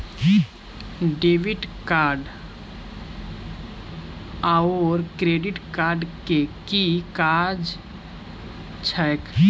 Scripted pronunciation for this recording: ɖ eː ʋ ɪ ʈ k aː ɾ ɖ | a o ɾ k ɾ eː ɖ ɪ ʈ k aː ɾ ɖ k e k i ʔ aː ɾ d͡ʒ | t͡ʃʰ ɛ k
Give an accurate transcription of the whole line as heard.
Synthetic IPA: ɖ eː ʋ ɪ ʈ k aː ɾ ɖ | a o ɾ k ɾ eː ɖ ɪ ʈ k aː ɾ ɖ k e k i k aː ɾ d͡ʒ | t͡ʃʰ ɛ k